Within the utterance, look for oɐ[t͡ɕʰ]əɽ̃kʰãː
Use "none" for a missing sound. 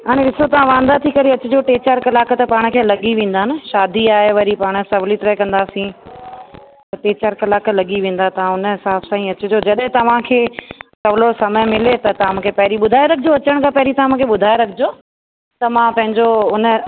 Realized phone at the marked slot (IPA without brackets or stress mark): t͡ɕ